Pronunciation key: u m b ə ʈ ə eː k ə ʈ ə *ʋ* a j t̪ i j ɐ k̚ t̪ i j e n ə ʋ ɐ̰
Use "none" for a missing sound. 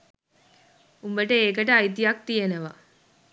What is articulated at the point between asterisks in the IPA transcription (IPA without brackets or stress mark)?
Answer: none